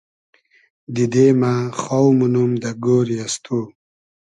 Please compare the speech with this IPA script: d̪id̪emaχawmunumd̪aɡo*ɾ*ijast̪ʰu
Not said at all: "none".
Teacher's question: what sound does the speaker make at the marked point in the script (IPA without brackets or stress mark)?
ɾ